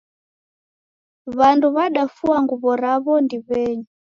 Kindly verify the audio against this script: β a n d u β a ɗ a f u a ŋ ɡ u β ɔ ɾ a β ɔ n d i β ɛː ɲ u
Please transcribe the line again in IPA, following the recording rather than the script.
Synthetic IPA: β a n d u β a ɗ a f u a ŋ ɡ u β ɔ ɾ a β ɔ n d i β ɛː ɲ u